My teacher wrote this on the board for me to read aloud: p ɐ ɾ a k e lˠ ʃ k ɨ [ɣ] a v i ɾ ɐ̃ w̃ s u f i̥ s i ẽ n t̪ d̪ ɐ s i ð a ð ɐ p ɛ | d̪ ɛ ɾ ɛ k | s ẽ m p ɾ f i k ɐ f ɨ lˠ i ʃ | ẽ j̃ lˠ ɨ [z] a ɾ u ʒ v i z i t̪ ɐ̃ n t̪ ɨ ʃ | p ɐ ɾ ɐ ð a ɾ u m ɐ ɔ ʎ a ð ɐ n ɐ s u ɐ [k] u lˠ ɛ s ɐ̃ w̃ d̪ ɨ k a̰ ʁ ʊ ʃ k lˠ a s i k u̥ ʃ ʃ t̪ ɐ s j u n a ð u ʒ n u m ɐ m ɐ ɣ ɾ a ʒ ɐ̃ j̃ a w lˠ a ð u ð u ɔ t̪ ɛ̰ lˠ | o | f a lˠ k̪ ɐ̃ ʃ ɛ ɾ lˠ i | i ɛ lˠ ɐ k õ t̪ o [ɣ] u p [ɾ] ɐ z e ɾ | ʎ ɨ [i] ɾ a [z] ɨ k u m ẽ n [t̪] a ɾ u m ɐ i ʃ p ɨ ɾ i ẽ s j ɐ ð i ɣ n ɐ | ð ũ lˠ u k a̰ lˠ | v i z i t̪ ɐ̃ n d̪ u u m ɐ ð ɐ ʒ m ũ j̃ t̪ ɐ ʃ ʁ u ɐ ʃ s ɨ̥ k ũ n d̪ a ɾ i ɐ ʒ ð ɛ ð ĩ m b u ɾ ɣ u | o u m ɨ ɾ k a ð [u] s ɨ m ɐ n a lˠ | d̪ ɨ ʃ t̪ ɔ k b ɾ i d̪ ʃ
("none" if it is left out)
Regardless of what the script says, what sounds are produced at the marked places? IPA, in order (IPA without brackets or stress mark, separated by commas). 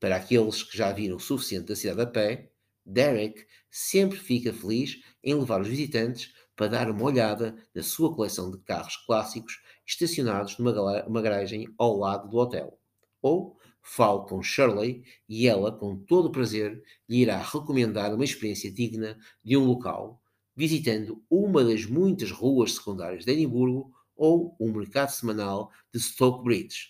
ʒ, v, k, ð, ɾ, i, ʁ, d̪, u